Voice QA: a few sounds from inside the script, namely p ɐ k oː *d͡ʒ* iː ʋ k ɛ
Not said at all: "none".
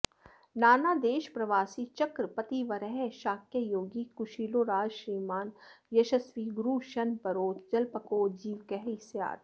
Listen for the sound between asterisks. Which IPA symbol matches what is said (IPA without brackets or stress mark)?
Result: d͡ʒ